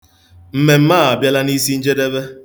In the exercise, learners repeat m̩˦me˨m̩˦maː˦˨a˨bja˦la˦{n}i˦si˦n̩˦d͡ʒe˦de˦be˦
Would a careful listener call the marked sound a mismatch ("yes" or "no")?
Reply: no